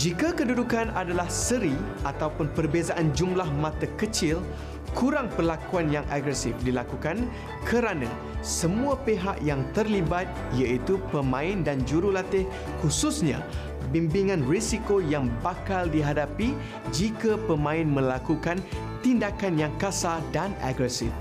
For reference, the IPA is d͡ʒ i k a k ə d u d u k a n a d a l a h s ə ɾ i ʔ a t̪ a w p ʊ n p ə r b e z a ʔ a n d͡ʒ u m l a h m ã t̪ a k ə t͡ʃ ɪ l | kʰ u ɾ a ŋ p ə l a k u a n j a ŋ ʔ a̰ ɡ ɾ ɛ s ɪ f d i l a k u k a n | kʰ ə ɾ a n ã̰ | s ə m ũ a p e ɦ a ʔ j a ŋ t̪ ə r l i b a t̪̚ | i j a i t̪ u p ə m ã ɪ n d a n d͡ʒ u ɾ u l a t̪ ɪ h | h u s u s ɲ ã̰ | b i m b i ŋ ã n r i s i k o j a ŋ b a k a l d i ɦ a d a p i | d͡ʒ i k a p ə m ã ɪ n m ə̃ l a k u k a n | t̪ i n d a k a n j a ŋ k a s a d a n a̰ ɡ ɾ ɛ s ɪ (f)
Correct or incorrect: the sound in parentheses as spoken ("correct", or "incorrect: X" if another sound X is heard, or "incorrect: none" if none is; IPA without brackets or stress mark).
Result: correct